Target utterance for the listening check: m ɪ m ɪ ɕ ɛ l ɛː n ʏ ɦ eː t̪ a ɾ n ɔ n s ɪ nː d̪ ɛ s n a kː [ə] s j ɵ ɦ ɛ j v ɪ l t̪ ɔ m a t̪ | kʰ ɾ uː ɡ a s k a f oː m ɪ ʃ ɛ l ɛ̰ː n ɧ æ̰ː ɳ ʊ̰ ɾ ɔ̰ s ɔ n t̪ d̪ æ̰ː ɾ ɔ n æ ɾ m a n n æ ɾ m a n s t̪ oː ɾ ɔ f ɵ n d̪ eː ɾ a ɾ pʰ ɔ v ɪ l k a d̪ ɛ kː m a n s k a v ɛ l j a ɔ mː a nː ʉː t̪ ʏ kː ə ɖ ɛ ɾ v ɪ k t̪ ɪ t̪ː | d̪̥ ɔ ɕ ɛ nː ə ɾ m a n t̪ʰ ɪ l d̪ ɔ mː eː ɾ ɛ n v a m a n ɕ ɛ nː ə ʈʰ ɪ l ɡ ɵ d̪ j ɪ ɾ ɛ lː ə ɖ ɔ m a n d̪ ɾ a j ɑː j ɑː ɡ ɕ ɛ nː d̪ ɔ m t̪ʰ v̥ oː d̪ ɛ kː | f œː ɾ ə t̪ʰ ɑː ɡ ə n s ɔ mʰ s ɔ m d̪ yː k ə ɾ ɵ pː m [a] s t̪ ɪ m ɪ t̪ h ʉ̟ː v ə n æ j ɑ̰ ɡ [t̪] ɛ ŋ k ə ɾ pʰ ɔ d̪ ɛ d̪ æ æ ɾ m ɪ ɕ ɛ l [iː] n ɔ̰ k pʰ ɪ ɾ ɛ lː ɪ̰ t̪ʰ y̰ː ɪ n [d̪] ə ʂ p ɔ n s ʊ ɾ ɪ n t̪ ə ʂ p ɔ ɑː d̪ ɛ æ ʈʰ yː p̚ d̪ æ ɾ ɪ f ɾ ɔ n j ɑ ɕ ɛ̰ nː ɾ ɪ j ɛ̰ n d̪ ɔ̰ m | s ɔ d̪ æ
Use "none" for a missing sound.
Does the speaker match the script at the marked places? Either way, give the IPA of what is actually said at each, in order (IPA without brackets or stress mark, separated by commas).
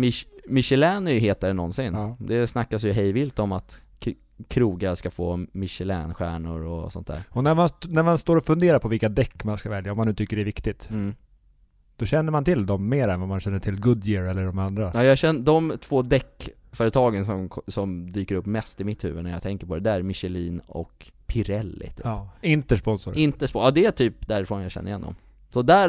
a, ɛ, t̪ʰ, iː, t̪